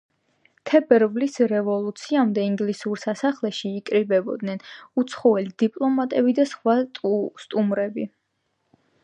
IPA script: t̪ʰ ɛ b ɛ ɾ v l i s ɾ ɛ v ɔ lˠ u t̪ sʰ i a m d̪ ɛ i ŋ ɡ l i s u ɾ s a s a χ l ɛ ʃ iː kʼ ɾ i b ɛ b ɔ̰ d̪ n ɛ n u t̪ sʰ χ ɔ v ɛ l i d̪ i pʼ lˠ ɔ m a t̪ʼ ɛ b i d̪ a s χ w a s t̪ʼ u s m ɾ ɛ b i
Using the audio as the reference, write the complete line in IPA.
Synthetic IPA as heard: t̪ʰ ɛ b ɛ ɾ v l i s ɾ ɛ v ɔ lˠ u t̪ sʰ i a m d̪ ɛ i ŋ ɡ l i s u ɾ s a s a χ l ɛ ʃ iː kʼ ɾ i b ɛ b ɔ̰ d̪ n ɛ n u t̪ sʰ χ ɔ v ɛ l i d̪ i pʼ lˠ ɔ m a t̪ʼ ɛ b i d̪ a s χ w a s t̪ʼ u m ɾ ɛ b i

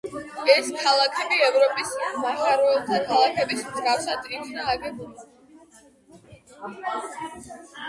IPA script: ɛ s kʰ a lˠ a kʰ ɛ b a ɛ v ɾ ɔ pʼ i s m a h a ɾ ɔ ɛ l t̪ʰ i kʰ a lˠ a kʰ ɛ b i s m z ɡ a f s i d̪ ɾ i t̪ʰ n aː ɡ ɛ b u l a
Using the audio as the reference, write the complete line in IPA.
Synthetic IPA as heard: ɛ s kʰ a lˠ a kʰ ɛ b i ɛ v ɾ ɔ pʼ i s m a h a ɾ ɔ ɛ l t̪ʰ a kʰ a lˠ a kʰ ɛ b i s m z ɡ a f s a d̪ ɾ i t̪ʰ n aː ɡ ɛ b u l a

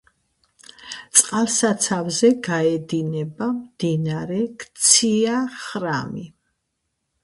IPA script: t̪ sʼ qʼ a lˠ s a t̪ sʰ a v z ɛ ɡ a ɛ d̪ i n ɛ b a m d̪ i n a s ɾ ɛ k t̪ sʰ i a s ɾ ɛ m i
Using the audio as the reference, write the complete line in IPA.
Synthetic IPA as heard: t̪ sʼ qʼ a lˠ s a t̪ sʰ a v z ɛ ɡ a ɛ d̪ i n ɛ b a m d̪ i n a ɾ ɛ k t̪ sʰ i a χ ɾ a m i

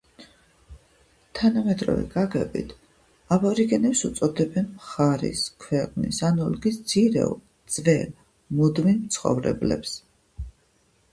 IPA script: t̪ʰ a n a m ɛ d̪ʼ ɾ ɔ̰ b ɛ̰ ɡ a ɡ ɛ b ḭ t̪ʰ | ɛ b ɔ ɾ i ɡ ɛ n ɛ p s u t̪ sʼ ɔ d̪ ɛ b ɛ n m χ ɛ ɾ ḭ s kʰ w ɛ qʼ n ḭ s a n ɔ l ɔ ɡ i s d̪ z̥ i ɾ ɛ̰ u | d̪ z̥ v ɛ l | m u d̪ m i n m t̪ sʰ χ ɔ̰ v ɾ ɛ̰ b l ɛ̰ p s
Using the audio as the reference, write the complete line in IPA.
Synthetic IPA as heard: t̪ʰ a n a m ɛ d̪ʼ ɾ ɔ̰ v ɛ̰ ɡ a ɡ ɛ b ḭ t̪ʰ | a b ɔ ɾ i ɡ ɛ n ɛ p s u t̪ sʼ ɔ d̪ ɛ b ɛ n m χ a ɾ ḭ s kʰ w ɛ qʼ n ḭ s a n ɔ l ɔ ɡ i s d̪ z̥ i ɾ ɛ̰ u | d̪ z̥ v ɛ l | m u d̪ m i n m t̪ sʰ χ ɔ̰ v ɾ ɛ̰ b l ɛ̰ p s

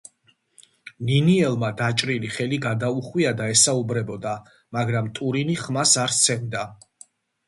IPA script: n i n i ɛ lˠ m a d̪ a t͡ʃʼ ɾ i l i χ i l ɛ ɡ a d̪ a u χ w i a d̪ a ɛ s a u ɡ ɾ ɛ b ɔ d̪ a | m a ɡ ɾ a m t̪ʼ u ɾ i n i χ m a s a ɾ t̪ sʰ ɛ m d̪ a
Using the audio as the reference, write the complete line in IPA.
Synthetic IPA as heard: n i n i ɛ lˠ m a d̪ a t͡ʃʼ ɾ i l i χ ɛ l i ɡ a d̪ a u χ w i a d̪ a ɛ s a u b ɾ ɛ b ɔ d̪ a | m a ɡ ɾ a m t̪ʼ u ɾ i n i χ m a s a ɾ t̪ sʰ ɛ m d̪ a

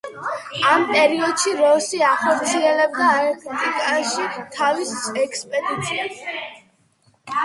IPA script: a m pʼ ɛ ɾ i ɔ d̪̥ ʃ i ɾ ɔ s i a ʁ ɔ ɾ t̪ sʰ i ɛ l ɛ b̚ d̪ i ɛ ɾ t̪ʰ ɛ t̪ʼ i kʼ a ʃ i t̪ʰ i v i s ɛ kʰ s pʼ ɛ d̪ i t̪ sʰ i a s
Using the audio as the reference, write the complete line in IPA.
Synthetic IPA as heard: a m pʼ ɛ ɾ i ɔ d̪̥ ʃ i ɾ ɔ s i a χ ɔ ɾ t̪ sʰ i ɛ l ɛ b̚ d̪ a ɛ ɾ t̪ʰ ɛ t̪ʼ i kʼ a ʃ i t̪ʰ a v i s ɛ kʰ s pʼ ɛ d̪ i t̪ sʰ i a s

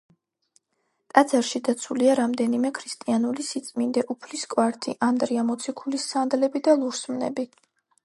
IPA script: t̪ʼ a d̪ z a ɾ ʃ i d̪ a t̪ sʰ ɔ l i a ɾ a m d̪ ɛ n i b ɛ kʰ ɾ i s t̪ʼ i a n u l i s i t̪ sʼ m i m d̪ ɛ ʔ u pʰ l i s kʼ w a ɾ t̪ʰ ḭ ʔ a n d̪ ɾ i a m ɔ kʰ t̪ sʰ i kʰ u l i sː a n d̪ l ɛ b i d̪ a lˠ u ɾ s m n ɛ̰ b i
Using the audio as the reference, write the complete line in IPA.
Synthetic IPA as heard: t̪ʼ a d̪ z a ɾ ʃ i d̪ a t̪ sʰ u l i a ɾ a m d̪ ɛ n i m ɛ kʰ ɾ i s t̪ʼ i a n u l i s i t̪ sʼ m i n d̪ ɛ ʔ u pʰ l i s kʼ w a ɾ t̪ʰ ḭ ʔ a n d̪ ɾ i a m ɔ t̪ sʰ i kʰ u l i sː a n d̪ l ɛ b i d̪ a lˠ u ɾ s m n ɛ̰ b i

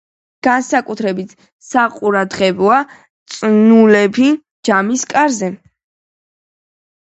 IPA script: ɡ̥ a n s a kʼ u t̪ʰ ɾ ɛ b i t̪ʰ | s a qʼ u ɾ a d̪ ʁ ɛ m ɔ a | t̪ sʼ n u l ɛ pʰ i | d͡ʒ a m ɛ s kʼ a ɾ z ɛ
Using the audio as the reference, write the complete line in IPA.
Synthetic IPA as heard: ɡ̥ a n s a kʼ u t̪ʰ ɾ ɛ b i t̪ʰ | s a qʼ u ɾ a d̪ ʁ ɛ b ɔ a | t̪ sʼ n u l ɛ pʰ i | d͡ʒ a m i s kʼ a ɾ z ɛ

